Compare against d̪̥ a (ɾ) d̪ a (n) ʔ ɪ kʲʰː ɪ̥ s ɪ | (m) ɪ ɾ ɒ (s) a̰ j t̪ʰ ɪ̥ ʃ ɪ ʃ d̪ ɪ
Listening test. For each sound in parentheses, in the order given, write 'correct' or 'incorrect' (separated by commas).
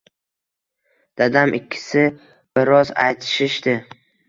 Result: incorrect, incorrect, incorrect, incorrect